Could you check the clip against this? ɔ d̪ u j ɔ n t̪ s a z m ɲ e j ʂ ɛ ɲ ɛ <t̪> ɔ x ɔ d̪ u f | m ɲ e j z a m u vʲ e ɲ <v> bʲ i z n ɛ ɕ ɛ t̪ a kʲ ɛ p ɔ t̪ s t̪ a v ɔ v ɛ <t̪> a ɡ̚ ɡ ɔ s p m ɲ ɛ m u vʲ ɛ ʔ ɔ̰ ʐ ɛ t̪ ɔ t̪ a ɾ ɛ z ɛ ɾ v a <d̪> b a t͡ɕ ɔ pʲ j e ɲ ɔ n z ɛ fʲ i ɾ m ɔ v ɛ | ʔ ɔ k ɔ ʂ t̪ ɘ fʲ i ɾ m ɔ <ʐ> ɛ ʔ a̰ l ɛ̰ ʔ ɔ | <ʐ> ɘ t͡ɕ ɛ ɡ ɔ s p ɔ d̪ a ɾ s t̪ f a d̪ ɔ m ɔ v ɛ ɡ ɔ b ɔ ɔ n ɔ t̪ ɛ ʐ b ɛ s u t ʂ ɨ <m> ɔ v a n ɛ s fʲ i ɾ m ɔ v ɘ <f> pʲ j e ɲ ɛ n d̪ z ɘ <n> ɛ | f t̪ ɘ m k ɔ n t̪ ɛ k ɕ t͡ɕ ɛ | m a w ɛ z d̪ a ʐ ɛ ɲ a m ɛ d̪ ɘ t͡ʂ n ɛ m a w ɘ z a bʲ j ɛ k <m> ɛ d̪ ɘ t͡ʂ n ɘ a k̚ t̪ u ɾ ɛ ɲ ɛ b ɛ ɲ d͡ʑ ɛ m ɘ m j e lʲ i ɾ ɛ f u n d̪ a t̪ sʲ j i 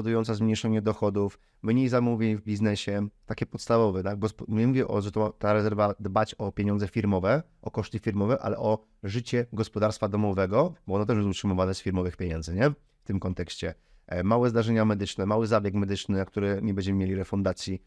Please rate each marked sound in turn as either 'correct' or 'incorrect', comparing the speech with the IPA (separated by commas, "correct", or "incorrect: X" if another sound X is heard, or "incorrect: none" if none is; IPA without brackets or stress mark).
incorrect: d̪, correct, correct, correct, incorrect: v, correct, correct, incorrect: x, incorrect: ɲ, correct